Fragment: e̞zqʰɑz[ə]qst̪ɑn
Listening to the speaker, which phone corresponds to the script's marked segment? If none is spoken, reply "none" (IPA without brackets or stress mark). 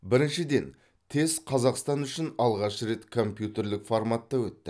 ɑ